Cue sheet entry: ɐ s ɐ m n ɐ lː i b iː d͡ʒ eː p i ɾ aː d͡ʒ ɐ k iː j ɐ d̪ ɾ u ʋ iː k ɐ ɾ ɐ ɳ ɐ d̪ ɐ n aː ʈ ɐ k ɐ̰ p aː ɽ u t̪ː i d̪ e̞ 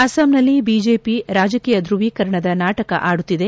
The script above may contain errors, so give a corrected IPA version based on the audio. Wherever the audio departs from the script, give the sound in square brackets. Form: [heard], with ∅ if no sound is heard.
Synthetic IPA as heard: ɐ s ɐ m n ɐ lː i b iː d͡ʒ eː p i ɾ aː d͡ʒ ɐ k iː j ɐ d̪ ɾ u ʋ iː k ɐ ɾ ɐ ɳ ɐ d̪ ɐ n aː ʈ ɐ k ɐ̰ [ʔ] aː ɽ u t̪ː i d̪ e̞